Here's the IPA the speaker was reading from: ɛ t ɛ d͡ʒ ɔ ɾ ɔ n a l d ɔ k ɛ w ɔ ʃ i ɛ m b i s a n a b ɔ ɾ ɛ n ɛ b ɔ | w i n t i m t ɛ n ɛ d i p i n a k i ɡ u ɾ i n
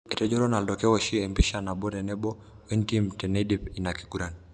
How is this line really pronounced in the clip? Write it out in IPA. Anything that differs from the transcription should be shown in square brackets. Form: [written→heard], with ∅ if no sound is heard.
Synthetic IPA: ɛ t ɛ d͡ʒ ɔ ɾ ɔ n a l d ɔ k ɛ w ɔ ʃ i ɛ m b i [s→ʃ] a n a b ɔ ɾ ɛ n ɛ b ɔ | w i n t i m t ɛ n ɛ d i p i n a k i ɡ u ɾ [i→a] n